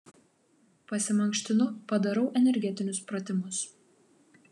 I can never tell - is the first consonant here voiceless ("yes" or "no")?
yes